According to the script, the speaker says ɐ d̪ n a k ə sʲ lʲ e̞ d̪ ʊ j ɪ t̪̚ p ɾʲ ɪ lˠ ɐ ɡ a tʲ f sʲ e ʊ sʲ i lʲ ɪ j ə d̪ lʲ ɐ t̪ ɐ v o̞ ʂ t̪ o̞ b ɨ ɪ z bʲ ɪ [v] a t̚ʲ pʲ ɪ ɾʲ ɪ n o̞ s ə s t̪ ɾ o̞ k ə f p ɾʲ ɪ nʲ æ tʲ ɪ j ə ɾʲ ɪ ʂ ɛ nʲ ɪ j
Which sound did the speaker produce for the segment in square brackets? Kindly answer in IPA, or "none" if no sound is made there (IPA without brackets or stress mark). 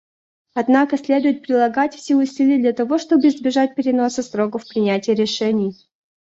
ʐ